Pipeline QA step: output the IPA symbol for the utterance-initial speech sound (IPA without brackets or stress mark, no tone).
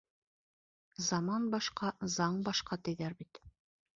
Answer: z